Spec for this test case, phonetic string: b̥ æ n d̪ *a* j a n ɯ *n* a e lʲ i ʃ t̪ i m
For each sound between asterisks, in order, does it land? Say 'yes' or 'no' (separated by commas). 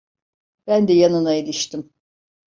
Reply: no, yes